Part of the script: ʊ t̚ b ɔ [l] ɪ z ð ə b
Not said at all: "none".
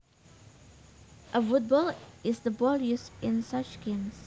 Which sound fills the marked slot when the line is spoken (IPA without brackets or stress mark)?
l